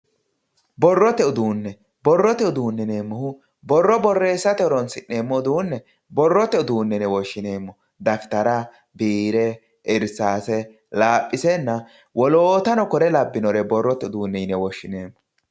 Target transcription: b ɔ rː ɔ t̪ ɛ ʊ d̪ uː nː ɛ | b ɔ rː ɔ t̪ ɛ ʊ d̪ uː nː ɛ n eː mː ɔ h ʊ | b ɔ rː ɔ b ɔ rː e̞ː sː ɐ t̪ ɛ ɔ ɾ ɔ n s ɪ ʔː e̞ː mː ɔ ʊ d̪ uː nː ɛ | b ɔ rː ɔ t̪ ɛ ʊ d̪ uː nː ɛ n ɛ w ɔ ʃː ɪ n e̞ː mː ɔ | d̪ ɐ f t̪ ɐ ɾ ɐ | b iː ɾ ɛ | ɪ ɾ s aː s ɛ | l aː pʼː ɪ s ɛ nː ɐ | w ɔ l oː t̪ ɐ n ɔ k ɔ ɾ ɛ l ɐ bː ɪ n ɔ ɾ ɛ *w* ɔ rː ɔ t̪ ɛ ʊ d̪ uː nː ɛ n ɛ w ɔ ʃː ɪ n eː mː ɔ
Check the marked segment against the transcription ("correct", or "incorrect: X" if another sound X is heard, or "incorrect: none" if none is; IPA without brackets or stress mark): incorrect: b